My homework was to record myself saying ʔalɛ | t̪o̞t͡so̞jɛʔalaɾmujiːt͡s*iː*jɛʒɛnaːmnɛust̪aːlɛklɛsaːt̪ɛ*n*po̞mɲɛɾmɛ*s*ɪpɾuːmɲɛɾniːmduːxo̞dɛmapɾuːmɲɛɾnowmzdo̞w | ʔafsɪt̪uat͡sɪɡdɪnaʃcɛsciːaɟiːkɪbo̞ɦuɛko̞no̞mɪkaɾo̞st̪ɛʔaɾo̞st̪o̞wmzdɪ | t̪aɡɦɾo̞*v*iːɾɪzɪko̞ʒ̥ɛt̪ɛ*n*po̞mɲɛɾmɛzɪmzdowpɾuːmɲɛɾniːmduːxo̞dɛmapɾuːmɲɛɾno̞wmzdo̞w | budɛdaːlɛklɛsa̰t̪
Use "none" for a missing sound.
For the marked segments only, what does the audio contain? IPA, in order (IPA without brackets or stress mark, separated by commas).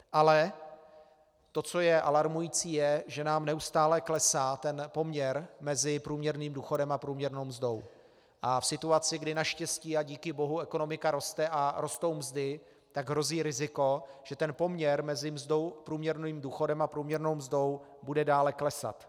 iː, n, z, z, n